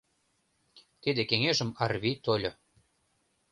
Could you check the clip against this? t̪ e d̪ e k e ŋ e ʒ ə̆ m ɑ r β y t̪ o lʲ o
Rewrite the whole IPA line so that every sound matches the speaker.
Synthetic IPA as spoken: t̪ i d̪ e k e ŋ e ʒ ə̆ m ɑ r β i t̪ o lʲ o